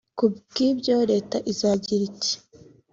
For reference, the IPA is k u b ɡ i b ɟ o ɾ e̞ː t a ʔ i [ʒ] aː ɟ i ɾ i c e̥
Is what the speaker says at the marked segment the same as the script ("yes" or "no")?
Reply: no